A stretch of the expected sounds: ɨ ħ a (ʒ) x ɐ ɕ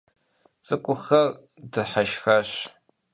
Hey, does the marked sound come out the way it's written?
no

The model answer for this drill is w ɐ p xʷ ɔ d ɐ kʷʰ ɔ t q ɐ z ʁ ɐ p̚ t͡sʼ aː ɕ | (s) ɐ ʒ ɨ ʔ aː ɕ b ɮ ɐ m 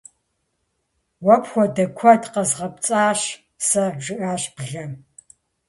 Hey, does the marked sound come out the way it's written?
yes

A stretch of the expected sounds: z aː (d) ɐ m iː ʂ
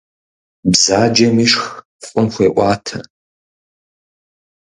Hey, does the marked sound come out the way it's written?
no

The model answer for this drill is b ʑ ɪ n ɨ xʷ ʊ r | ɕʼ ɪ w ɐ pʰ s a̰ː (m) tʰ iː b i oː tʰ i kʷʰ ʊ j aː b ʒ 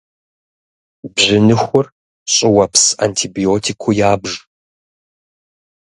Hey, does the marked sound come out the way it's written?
no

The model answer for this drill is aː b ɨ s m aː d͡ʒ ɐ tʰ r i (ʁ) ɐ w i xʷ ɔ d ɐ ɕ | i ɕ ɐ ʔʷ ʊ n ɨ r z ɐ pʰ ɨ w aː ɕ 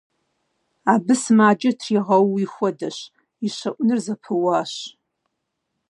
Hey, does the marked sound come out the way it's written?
yes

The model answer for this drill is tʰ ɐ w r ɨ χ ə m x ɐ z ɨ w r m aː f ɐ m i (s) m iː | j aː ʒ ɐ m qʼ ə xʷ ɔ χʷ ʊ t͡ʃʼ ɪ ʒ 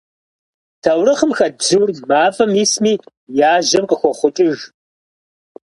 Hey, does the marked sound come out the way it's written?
yes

